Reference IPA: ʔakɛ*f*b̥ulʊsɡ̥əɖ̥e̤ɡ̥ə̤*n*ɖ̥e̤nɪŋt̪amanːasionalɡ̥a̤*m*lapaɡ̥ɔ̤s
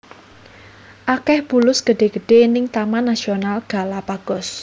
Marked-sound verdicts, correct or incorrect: incorrect, incorrect, incorrect

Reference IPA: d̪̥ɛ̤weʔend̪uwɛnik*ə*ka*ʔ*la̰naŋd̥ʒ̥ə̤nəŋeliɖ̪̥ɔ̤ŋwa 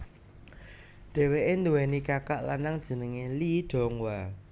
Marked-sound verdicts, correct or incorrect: incorrect, correct

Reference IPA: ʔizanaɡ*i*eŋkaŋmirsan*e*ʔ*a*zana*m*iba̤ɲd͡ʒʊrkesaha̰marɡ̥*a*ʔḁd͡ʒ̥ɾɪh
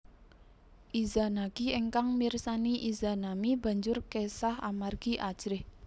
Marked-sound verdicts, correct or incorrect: correct, incorrect, incorrect, correct, incorrect

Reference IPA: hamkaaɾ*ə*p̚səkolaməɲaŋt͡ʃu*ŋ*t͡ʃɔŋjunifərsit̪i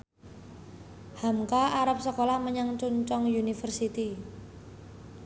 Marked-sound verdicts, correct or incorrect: incorrect, incorrect

